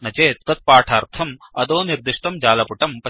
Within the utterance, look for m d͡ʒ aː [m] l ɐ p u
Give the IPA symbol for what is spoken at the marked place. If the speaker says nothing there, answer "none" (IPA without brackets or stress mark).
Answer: none